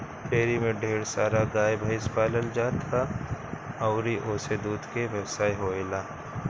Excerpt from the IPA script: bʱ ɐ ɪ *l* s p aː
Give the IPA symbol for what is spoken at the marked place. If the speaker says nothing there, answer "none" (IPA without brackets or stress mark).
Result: none